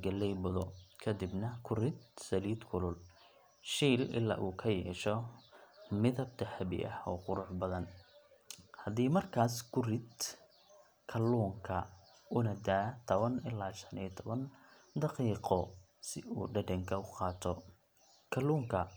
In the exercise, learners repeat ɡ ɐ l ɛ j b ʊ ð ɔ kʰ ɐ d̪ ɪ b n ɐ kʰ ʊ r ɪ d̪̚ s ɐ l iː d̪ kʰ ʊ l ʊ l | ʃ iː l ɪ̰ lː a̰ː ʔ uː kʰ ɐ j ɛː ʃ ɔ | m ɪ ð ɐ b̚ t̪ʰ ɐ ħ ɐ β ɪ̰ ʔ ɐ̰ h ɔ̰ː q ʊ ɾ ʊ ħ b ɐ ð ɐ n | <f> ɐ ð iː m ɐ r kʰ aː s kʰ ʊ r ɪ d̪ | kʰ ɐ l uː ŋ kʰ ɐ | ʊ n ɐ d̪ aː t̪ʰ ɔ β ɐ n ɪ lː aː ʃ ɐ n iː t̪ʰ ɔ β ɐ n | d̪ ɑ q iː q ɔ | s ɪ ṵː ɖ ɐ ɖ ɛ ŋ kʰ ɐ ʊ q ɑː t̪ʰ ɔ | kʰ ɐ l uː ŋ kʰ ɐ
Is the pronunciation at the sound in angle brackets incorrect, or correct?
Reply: incorrect